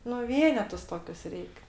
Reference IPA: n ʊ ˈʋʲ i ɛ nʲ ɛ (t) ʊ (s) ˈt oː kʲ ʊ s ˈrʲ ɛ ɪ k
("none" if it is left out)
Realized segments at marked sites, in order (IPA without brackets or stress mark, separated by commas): t, s